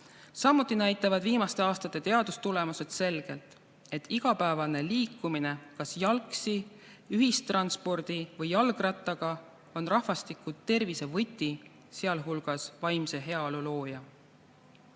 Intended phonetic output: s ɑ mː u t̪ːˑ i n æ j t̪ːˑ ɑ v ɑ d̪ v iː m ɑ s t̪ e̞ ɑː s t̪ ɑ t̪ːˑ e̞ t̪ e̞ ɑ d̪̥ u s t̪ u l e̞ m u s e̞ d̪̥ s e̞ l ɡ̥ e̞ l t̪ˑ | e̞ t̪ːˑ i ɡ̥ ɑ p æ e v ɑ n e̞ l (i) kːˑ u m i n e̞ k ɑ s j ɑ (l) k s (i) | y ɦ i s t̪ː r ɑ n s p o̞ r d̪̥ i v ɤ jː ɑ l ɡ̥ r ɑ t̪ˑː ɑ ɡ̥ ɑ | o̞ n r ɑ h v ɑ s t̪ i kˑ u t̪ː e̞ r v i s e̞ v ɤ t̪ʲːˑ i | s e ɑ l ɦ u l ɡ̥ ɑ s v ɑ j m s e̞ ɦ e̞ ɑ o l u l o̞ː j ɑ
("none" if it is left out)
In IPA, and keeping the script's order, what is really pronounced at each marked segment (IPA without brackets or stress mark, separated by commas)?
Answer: iː, l, i